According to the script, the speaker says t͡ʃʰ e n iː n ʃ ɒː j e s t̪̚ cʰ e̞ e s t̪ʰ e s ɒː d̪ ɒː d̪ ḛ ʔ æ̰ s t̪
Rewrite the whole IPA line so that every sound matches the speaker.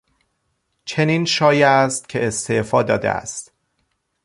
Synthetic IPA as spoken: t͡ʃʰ e n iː n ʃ ɒː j æ s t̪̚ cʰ e̞ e s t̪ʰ e f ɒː d̪ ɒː d̪ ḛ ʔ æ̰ s t̪